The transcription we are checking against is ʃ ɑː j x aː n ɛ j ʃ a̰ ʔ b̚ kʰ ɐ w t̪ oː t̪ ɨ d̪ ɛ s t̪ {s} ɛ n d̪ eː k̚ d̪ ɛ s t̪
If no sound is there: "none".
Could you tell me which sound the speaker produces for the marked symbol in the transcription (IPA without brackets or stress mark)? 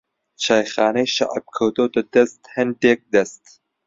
h